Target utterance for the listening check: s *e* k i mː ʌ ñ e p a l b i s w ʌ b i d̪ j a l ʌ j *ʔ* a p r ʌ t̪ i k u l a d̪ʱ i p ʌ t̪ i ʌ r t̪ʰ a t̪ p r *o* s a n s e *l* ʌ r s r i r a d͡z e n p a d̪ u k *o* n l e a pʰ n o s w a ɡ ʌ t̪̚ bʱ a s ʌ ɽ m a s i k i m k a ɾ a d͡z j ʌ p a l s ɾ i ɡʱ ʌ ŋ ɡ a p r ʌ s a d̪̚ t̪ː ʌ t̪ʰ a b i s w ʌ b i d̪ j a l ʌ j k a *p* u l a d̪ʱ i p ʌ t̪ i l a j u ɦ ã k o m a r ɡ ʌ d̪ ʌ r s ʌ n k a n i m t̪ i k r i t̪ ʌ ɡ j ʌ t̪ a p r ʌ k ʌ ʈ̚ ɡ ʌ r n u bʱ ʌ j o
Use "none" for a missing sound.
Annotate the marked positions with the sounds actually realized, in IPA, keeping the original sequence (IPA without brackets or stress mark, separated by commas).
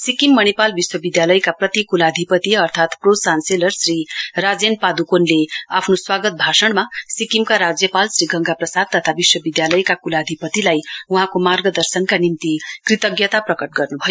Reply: i, k, o, l, o, k